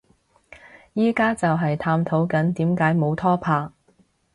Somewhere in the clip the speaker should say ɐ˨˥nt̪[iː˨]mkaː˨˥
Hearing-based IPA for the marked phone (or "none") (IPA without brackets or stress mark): iː˨˥